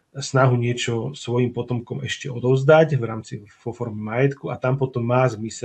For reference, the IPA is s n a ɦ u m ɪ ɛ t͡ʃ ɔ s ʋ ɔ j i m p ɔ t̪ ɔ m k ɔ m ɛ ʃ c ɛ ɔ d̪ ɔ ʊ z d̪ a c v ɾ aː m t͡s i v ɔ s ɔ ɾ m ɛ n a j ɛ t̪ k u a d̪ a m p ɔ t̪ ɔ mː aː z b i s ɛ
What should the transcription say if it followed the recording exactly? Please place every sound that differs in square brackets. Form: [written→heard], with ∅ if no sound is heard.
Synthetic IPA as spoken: s n a ɦ u [m→ɲ] ɪ ɛ t͡ʃ ɔ s ʋ ɔ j i m p ɔ t̪ ɔ m k ɔ m ɛ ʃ c ɛ ɔ d̪ ɔ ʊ z d̪ a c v ɾ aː m t͡s i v ɔ [s→f] ɔ ɾ m ɛ [n→m] a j ɛ t̪ k u a [d̪→t̪] a m p ɔ t̪ ɔ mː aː z [b→m] i s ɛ